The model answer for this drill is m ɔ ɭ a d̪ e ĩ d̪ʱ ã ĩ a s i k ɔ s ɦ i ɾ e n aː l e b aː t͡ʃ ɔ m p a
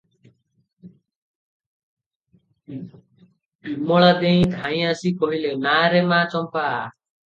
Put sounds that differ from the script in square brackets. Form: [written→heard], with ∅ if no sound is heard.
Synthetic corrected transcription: m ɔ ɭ a d̪ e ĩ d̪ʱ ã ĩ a s i k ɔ [s→∅] ɦ i [ɾ→l] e n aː [l→ɾ] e [b→m] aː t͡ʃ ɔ m p a